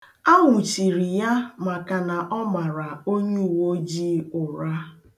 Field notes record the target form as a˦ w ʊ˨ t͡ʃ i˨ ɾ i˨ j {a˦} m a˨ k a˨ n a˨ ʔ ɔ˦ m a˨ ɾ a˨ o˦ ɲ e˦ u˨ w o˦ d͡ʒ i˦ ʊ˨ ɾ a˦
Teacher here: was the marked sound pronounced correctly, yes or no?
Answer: yes